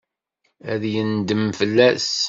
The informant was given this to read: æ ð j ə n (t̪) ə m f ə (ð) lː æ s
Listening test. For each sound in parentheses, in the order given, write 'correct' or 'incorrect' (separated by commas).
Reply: incorrect, incorrect